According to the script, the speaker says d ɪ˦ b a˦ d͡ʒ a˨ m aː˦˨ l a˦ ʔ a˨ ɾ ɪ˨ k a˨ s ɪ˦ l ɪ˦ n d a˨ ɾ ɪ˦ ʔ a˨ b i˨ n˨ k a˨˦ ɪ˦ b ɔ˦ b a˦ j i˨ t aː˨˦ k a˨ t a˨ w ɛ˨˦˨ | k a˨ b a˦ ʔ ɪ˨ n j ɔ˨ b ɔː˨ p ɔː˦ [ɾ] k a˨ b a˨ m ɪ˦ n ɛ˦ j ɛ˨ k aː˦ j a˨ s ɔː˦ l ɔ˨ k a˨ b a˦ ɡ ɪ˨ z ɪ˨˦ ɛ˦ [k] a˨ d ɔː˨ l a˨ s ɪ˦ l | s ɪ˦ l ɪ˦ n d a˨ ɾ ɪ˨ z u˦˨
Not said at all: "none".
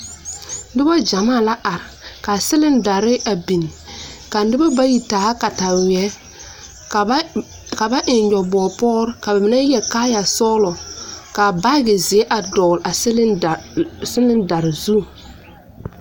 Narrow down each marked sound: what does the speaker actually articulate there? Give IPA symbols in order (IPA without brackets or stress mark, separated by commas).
ɾ, ʔ